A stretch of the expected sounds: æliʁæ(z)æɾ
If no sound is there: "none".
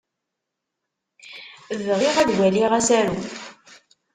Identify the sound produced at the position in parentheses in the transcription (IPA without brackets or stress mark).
s